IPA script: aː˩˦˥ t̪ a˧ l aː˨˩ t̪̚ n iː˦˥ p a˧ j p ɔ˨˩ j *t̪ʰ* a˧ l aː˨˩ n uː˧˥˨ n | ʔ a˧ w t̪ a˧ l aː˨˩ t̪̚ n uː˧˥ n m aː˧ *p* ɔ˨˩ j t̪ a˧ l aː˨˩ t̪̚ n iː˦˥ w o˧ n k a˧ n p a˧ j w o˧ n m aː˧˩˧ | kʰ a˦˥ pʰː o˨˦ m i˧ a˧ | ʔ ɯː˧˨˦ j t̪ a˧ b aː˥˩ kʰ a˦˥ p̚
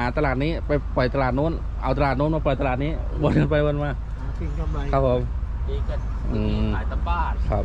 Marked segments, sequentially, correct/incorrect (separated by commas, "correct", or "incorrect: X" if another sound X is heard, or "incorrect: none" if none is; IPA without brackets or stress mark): incorrect: t̪, correct